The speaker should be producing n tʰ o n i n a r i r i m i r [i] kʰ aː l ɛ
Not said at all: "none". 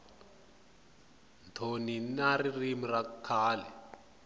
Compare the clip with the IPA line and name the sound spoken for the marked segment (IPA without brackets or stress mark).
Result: a